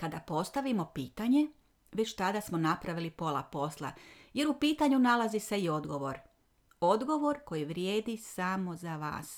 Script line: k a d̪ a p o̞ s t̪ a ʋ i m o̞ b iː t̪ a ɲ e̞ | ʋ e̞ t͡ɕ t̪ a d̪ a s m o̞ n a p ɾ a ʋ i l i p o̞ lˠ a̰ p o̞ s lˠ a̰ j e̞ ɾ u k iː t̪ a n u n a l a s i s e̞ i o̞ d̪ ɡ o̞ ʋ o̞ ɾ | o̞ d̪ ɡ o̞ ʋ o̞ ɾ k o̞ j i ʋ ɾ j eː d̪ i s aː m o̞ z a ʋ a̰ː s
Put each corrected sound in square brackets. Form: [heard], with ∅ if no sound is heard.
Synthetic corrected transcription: k a d̪ a p o̞ s t̪ a ʋ i m o̞ [p] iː t̪ a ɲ e̞ | ʋ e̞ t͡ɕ t̪ a d̪ a s m o̞ n a p ɾ a ʋ i l i p o̞ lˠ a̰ p o̞ s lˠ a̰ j e̞ ɾ u [p] iː t̪ a [ɲ] u n a l a [z] i s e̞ i o̞ d̪ ɡ o̞ ʋ o̞ ɾ | o̞ d̪ ɡ o̞ ʋ o̞ ɾ k o̞ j i ʋ ɾ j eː d̪ i s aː m o̞ z a ʋ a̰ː s